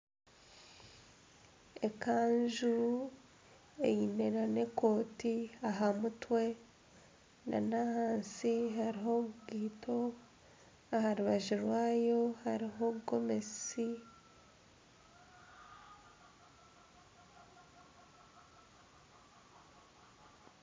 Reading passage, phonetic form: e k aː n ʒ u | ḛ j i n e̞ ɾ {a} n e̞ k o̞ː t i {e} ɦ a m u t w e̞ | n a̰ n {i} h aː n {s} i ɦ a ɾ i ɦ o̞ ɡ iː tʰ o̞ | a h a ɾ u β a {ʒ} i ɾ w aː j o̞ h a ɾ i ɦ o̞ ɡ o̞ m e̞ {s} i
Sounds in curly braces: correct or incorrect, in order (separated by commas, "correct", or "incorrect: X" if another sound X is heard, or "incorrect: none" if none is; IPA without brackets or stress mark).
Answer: correct, incorrect: a, incorrect: a, correct, correct, correct